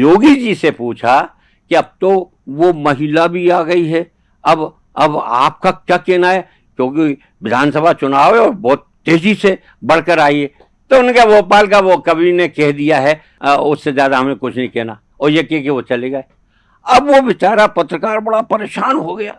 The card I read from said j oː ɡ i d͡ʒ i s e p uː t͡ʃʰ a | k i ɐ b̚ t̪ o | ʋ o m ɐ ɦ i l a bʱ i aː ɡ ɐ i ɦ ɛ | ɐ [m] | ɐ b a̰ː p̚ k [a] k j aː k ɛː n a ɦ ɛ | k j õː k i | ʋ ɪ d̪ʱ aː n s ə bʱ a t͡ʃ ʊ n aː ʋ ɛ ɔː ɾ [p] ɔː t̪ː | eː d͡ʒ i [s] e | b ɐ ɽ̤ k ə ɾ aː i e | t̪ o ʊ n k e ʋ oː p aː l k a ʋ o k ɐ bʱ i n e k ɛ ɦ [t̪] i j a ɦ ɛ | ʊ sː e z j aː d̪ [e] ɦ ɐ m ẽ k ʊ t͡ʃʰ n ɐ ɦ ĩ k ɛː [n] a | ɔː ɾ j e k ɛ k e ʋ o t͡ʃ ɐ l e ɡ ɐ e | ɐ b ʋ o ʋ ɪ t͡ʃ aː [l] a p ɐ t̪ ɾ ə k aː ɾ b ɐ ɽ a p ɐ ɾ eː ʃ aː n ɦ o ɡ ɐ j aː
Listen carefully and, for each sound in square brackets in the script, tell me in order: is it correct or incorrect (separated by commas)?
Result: incorrect, correct, incorrect, correct, incorrect, incorrect, correct, incorrect